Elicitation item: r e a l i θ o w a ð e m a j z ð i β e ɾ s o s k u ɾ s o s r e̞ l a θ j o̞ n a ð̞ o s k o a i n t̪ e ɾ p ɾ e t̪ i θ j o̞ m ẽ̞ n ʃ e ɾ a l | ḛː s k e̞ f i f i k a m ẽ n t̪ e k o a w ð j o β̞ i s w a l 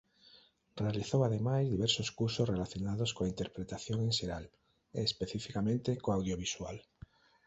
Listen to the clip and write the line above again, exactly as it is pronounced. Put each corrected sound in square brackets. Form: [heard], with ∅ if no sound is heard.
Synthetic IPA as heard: r e a l i θ o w a ð e m a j z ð i β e ɾ s o s k u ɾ s o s r e̞ l a θ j o̞ n a ð̞ o s k o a i n t̪ e ɾ p ɾ e t̪ [a] θ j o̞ [ŋ] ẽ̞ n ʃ e ɾ a l | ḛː s [p] e̞ [θ] i f i k a m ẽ n t̪ e k o a w ð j o β̞ i s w a l